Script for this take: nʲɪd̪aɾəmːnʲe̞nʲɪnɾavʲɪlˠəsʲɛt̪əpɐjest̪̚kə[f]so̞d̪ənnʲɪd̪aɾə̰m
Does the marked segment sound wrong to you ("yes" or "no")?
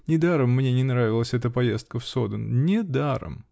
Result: no